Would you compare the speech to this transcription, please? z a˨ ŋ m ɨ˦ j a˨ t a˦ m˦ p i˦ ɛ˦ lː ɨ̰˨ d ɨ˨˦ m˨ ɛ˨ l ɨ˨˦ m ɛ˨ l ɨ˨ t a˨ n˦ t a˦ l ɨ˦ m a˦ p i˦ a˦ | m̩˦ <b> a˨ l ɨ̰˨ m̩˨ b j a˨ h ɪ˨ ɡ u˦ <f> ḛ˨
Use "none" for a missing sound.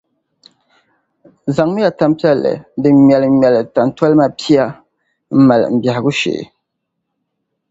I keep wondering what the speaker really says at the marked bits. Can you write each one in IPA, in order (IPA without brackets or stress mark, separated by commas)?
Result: m, ʃ